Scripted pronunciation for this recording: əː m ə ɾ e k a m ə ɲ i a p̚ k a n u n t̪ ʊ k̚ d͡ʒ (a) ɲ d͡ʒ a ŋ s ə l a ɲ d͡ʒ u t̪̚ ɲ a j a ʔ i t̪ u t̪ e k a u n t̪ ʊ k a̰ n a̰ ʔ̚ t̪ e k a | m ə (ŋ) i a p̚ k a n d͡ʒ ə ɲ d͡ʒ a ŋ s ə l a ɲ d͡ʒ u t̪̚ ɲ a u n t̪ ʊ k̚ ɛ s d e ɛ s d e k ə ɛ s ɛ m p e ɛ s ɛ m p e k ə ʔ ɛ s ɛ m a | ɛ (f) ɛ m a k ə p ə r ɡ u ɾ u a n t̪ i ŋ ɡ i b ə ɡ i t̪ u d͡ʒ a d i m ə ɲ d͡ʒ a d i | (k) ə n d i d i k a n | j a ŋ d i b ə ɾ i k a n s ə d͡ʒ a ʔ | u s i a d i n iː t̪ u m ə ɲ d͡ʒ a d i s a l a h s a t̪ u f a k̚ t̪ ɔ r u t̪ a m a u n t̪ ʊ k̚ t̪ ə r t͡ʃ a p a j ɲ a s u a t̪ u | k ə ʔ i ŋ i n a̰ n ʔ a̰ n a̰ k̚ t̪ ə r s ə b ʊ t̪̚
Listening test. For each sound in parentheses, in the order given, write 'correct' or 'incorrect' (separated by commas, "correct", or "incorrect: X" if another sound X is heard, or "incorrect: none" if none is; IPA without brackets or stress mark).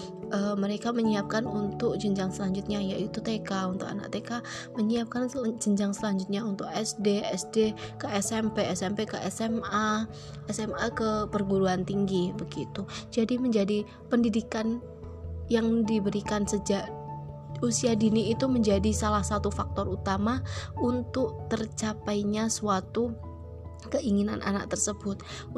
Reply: incorrect: ə, incorrect: ɲ, incorrect: s, incorrect: p